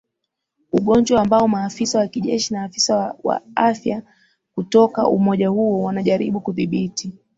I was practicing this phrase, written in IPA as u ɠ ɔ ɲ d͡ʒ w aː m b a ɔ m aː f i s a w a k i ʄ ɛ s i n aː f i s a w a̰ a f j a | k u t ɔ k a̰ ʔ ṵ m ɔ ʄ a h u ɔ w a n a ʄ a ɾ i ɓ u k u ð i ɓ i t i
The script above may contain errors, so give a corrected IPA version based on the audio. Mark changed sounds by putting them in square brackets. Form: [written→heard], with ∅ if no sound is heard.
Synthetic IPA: u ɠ ɔ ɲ d͡ʒ w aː m b a ɔ m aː f i s a w a k i ʄ ɛ [s→ʃ] i n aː f i s a w a̰ a f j a | k u t ɔ k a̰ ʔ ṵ m ɔ ʄ a h u ɔ w a n a ʄ a ɾ i ɓ u k u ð i ɓ i t i